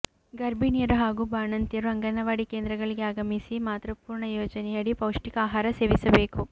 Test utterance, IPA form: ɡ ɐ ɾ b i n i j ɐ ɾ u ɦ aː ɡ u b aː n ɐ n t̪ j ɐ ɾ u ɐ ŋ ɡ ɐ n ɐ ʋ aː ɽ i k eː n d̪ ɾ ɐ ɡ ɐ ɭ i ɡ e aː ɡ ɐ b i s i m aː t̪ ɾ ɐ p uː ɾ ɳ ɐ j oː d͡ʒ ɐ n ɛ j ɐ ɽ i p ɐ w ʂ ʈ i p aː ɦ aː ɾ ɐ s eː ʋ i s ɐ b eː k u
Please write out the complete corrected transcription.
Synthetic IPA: ɡ ɐ ɾ b i n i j ɐ ɾ u ɦ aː ɡ u b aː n ɐ n t̪ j ɐ ɾ u ɐ ŋ ɡ ɐ n ɐ ʋ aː ɽ i k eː n d̪ ɾ ɐ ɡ ɐ ɭ i ɡ e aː ɡ ɐ m i s i m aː t̪ ɾ ɐ p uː ɾ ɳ ɐ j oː d͡ʒ ɐ n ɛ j ɐ ɽ i p ɐ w ʂ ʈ i k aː ɦ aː ɾ ɐ s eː ʋ i s ɐ b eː k u